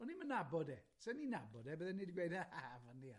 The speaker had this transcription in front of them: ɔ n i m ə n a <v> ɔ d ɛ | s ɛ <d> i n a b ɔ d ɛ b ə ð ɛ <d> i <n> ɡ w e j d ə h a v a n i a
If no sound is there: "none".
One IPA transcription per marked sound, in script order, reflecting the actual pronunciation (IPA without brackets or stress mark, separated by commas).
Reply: b, n, n, d